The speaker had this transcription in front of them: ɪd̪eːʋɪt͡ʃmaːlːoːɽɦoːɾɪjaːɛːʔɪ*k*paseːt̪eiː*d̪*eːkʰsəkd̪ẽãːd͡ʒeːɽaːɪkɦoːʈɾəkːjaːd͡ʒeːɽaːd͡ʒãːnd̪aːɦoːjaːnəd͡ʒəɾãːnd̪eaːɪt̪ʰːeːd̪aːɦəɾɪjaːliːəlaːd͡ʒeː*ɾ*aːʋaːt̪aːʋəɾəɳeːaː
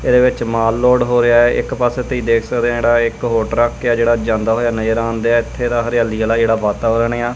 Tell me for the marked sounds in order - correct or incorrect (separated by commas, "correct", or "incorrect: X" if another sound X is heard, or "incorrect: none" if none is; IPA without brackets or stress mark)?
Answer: correct, correct, incorrect: ɽ